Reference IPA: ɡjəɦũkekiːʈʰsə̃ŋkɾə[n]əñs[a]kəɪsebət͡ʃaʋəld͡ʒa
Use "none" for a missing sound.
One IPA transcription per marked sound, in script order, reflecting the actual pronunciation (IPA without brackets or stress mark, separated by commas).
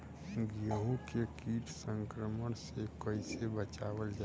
m, e